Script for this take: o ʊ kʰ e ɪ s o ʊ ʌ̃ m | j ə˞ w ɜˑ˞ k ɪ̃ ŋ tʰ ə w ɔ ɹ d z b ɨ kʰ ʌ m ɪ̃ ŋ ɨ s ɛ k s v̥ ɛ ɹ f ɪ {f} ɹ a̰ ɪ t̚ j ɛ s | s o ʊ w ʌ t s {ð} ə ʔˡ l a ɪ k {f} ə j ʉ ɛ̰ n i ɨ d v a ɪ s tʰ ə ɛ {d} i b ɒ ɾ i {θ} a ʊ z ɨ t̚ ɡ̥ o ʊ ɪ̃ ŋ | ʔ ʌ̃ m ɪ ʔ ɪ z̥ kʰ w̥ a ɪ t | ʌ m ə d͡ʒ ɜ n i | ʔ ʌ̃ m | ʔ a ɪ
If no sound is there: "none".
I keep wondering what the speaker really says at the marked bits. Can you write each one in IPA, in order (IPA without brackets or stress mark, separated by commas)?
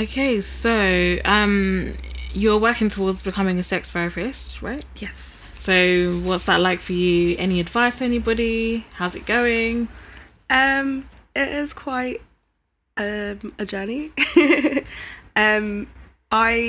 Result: s, ð, f, n, h